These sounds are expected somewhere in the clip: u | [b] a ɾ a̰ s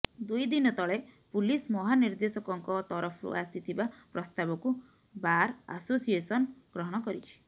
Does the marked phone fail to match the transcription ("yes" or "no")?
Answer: no